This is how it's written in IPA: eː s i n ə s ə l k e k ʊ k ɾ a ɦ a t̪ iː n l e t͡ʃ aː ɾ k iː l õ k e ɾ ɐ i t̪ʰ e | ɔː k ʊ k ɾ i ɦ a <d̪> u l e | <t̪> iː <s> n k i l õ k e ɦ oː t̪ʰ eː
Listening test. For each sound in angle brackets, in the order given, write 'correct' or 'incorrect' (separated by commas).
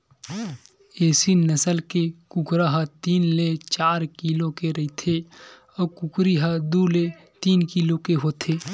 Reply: correct, correct, incorrect